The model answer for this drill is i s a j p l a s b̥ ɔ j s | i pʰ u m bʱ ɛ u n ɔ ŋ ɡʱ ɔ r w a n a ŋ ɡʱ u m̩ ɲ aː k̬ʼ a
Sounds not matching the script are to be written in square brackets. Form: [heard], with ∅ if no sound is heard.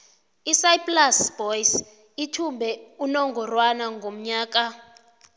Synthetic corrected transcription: i s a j p l a s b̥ ɔ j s | i [tʰ] u m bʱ ɛ u n ɔ ŋ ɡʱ ɔ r w a n a ŋ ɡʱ [o] m̩ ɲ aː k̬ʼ a